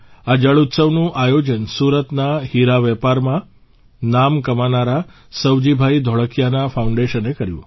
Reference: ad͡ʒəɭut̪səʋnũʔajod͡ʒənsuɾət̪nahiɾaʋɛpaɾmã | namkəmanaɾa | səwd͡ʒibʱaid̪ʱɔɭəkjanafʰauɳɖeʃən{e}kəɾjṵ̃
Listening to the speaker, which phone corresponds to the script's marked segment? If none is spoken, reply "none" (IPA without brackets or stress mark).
e